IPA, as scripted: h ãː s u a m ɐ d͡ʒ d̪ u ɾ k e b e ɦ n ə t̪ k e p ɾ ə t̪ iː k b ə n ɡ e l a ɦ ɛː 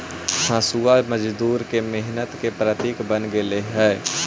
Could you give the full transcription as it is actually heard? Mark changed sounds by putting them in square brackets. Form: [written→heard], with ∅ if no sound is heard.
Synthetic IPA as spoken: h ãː s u a m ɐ d͡ʒ d̪ [u→uː] ɾ k e [b→m] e ɦ n ə t̪ k e p ɾ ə t̪ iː k b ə n ɡ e l [a→e] ɦ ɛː